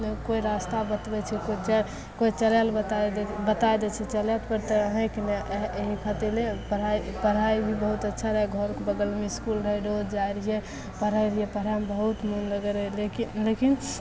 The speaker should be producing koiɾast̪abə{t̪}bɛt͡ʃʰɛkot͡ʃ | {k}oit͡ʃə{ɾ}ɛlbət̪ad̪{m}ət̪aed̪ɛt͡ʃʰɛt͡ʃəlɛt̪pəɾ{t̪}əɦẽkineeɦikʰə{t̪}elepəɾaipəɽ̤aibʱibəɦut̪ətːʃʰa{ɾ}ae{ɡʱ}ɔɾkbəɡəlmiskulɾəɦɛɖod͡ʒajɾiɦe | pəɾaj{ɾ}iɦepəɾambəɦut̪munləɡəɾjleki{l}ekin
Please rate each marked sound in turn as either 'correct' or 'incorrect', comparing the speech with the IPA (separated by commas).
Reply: correct, correct, incorrect, incorrect, correct, correct, correct, correct, correct, correct